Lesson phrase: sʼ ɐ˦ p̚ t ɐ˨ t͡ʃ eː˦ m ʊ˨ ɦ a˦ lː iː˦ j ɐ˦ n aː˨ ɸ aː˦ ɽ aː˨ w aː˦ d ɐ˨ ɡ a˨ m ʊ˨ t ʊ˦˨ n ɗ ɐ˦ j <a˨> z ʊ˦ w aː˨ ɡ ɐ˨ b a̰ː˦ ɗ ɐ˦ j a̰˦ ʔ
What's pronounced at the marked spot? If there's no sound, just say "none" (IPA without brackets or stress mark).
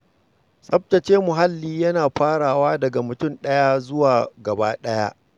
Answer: a˦